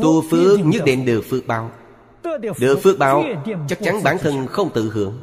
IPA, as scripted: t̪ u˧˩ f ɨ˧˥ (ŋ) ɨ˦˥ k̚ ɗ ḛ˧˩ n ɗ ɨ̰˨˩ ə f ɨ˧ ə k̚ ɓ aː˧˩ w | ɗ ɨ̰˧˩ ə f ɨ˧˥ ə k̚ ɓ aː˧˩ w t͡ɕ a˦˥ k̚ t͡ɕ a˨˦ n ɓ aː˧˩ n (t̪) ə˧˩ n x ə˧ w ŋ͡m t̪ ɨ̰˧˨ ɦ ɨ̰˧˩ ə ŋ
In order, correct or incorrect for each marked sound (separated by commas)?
incorrect, incorrect